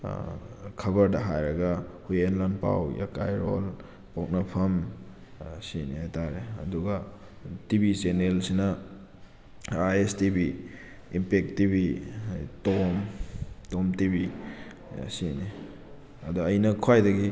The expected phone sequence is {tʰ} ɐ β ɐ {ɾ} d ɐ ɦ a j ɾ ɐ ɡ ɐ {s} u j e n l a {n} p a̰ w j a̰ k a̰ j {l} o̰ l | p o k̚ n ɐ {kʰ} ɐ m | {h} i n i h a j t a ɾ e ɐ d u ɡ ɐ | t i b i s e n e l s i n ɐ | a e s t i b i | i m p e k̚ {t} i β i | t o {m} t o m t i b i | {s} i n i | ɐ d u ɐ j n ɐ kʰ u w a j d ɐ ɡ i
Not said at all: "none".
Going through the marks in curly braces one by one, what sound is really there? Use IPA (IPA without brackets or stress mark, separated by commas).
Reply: kʰ, ɾ, h, n, ɾ, pʰ, s, t, m, s